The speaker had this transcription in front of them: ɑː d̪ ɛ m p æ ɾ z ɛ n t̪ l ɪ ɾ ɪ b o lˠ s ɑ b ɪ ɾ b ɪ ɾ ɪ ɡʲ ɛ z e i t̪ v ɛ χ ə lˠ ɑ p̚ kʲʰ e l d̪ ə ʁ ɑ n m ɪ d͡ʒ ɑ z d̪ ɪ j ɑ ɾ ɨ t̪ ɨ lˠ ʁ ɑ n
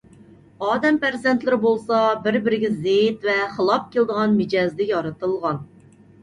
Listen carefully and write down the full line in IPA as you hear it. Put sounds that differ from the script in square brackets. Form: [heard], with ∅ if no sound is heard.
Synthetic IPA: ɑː d̪ ɛ m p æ ɾ z ɛ n t̪ l ɪ ɾ ɪ b o lˠ s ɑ b ɪ ɾ b ɪ ɾ ɪ ɡʲ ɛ z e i t̪ v ɛ χ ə lˠ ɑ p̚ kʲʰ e l d̪ ə ʁ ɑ n m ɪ d͡ʒ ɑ z d̪ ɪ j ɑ ɾ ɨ t̪ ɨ lˠ ʁ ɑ n